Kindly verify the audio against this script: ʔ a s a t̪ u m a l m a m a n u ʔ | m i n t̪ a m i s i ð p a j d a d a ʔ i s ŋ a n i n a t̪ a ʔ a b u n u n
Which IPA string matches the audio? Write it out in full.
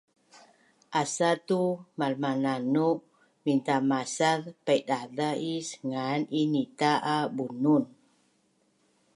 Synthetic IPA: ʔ a s a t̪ u m a l m a n a n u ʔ | m i n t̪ a m a s a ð p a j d a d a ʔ i s ŋ a n i n i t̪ a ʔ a b u n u n